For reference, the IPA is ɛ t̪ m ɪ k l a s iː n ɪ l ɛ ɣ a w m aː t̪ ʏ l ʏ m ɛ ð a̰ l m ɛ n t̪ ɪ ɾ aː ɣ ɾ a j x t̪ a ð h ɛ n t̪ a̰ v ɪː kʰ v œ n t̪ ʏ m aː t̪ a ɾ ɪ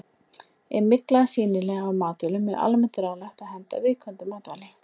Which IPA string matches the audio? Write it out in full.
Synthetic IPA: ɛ m ɪ k l a s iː n ɪ l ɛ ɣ a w m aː t̪ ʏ l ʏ m ɛ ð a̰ l m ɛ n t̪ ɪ ɾ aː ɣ l a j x t̪ a ð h ɛ n t̪ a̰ v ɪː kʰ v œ n t̪ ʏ m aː t̪ a l ɪ

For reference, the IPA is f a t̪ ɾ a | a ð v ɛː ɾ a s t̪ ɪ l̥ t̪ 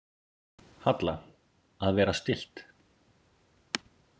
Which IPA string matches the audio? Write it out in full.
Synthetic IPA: h a t̪ l a | a ð v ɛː ɾ a s t̪ ɪ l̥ t̪

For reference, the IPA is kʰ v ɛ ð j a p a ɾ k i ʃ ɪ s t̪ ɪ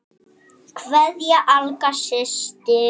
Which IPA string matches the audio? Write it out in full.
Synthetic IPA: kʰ v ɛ ð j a ʔ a l k a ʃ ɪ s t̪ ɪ

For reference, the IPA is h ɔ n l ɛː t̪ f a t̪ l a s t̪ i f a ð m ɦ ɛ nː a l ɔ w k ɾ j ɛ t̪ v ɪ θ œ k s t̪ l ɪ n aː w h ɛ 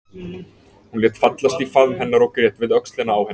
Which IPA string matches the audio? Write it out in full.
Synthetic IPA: h u n l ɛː t̪ f a t̪ l a s t̪ i f a ð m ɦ ɛ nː a ɾ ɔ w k ɾ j ɛ t̪ v ɪ ð œ k s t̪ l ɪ n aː w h ɛ

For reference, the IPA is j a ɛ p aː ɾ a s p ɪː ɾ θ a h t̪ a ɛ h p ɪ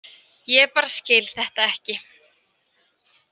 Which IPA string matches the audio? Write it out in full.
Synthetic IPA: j ɛ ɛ p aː ɾ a s c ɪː l θ ɛ h t̪ a ɛ h c ɪ

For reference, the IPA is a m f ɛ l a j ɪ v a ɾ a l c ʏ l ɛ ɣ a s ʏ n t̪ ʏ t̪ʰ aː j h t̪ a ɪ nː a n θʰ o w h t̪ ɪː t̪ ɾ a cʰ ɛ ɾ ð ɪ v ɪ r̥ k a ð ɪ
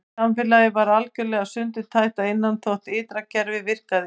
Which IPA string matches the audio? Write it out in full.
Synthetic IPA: a m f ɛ l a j ɪ v a ɾ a l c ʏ l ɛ ɣ a s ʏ n t̪ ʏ t̪ʰ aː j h t̪ a ɪ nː a n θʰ o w h t̪ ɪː t̪ ɾ a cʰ ɛ ɾ v ɪ v ɪ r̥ k a ð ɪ

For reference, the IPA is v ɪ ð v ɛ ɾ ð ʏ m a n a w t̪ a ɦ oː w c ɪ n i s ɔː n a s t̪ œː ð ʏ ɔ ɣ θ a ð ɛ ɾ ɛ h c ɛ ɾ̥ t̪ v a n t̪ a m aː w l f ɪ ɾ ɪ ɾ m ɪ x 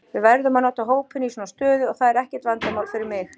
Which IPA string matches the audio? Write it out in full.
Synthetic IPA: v ɪ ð v ɛ ɾ ð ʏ m a n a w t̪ a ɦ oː w p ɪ n i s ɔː n a s t̪ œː ð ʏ ɔ ɣ θ a ð ɛ ɾ ɛ h c ɛ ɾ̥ t̪ v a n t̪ a m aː w l f ɪ ɾ ɪ ɾ m ɪ x

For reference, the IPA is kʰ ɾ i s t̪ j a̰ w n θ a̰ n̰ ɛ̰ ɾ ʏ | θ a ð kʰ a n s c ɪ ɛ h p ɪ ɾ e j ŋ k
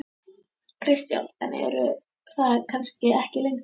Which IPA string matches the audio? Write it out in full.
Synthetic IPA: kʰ ɾ ɪ s t̪ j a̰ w n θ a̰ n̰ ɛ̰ ɾ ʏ | θ a ð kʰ a n s c ɪ ɛ h c ɪ l e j ŋ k

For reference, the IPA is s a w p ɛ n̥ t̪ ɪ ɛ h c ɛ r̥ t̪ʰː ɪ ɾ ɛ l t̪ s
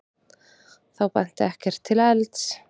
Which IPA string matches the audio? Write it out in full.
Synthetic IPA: θ a w p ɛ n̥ t̪ ɪ ɛ h c ɛ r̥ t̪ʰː ɪ l ɛ l t̪ s

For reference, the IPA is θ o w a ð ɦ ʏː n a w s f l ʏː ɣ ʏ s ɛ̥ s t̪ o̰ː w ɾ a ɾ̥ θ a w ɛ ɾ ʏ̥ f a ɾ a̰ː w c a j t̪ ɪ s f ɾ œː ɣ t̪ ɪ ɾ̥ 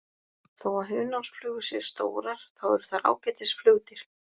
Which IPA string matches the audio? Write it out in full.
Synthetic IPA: θ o w a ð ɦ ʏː n a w s f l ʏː ɣ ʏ s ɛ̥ s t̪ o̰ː w ɾ a ɾ̥ θ a w ɛ ɾ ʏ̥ θ a ɾ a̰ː w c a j t̪ ɪ s f l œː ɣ t̪ ɪ ɾ̥

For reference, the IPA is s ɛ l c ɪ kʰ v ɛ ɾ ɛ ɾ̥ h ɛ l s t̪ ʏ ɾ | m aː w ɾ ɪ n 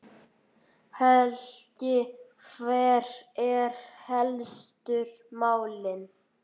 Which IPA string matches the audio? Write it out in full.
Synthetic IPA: h ɛ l c ɪ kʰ v ɛ ɾ ɛ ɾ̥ h ɛ l s t̪ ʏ ɾ | m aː w l ɪ n

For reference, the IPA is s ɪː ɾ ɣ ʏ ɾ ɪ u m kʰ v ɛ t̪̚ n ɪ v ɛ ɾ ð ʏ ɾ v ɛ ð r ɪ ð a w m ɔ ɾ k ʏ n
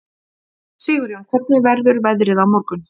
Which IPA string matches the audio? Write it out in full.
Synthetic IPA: s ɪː ɣ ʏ ɾ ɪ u m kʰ v ɛ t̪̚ n ɪ v ɛ ɾ ð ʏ ɾ v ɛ ð ɾ ɪ ð a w m ɔ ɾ k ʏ n

